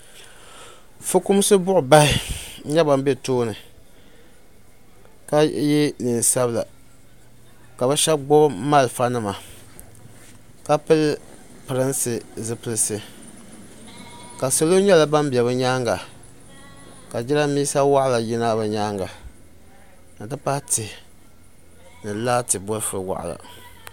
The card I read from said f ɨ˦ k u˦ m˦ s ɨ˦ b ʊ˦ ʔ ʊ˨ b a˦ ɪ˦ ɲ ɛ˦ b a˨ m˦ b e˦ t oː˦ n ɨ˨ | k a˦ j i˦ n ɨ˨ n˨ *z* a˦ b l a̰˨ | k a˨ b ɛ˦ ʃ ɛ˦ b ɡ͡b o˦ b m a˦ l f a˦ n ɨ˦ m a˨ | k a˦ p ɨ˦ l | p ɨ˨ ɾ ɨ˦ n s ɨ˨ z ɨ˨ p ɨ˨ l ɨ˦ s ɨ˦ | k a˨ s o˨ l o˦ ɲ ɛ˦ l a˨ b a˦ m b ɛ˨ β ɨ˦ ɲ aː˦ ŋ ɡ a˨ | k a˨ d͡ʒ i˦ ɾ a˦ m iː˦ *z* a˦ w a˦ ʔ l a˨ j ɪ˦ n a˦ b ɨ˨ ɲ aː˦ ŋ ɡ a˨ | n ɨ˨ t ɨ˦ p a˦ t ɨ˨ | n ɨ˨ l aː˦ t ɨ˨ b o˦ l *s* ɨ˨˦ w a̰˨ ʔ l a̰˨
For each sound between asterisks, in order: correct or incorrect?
incorrect, incorrect, incorrect

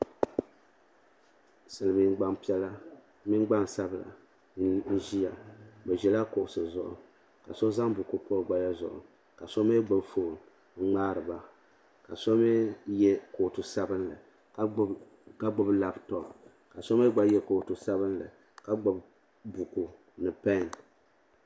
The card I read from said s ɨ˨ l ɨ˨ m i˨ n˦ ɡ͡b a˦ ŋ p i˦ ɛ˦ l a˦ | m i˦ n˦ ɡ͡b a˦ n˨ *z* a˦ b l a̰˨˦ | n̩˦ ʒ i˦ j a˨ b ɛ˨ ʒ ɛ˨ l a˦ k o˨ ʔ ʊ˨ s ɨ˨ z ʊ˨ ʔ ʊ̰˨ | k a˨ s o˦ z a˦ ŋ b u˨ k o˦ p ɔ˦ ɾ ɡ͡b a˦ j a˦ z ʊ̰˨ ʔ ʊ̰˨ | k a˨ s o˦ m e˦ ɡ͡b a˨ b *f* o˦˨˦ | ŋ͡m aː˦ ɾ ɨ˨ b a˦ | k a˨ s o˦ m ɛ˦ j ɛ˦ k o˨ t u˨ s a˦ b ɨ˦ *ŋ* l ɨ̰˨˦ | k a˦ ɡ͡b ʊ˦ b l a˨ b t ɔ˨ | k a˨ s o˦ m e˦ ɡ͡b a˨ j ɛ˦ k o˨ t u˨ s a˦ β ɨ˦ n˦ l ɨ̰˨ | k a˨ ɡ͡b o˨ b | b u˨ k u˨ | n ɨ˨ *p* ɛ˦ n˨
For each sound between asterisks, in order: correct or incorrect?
incorrect, correct, incorrect, correct

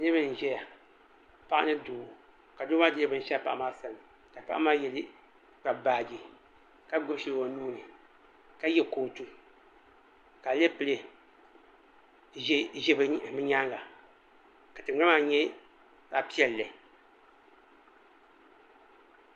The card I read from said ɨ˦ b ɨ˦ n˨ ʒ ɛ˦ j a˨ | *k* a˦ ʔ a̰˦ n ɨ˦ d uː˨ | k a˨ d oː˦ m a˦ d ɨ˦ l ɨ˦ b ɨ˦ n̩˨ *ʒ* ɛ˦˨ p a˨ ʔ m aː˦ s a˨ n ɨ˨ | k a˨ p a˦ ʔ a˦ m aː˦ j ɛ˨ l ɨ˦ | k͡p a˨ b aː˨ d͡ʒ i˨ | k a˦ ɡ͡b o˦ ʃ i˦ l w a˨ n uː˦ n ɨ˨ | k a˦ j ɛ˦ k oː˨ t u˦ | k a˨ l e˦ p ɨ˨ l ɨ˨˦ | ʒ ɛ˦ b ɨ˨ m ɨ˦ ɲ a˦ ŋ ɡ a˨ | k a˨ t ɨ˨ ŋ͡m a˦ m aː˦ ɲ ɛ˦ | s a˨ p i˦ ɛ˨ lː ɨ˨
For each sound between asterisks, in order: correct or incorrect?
incorrect, incorrect

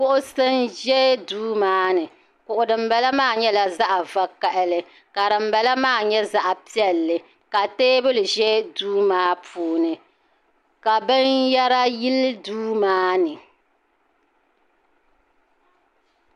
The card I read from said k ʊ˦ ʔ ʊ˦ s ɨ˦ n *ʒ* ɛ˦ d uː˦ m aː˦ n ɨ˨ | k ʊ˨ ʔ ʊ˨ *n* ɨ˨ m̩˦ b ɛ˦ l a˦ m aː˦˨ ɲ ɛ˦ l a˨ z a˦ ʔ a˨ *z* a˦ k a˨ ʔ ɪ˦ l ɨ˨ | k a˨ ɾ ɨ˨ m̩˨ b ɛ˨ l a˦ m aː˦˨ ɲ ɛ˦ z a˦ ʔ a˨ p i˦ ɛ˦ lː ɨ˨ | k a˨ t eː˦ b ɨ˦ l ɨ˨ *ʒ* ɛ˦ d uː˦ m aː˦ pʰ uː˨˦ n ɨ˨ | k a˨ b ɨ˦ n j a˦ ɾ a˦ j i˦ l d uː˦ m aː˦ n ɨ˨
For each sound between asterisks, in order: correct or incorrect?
correct, incorrect, incorrect, correct

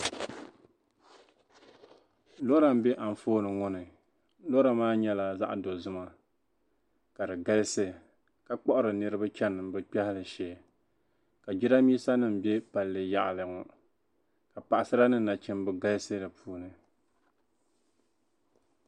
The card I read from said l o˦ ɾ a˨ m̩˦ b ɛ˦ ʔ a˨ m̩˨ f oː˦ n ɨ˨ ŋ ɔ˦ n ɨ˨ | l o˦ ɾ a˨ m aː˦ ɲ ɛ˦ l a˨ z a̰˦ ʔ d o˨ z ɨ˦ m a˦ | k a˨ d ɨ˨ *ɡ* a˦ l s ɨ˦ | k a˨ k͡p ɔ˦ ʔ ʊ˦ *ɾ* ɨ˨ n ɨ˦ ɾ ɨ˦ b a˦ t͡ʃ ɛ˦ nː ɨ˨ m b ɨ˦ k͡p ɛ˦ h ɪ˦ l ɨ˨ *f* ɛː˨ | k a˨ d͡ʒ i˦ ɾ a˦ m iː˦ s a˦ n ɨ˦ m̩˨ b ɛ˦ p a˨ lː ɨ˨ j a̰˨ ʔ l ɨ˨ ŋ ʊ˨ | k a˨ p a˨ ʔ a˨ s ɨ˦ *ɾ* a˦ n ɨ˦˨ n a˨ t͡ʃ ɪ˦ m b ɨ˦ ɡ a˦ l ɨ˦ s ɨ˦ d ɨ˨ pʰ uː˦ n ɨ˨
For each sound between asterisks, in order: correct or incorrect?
correct, correct, incorrect, correct

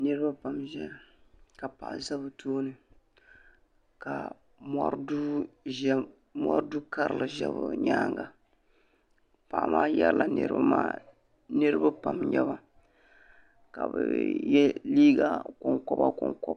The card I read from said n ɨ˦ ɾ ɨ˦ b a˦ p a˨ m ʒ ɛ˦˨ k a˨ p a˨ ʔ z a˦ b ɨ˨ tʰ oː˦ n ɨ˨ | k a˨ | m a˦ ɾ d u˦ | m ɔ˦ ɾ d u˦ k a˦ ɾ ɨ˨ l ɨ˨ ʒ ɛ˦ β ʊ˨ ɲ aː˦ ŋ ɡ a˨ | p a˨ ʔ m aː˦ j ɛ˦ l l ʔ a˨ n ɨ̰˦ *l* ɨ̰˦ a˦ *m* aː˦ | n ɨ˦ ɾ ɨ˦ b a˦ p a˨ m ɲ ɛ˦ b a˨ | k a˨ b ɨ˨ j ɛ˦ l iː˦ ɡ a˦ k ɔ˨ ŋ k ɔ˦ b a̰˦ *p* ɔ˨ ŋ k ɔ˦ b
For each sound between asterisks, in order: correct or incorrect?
incorrect, correct, incorrect

